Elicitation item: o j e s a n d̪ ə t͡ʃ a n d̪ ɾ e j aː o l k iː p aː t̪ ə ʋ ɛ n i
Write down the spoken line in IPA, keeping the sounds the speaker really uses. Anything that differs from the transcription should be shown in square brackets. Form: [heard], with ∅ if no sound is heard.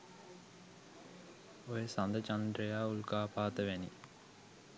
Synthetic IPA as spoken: o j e s a n d̪ ə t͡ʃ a n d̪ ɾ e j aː [u] l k [aː] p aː t̪ ə ʋ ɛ n i